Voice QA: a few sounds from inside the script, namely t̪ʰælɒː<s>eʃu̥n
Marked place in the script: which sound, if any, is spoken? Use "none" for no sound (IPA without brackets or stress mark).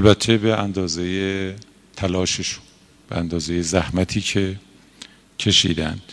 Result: ʃ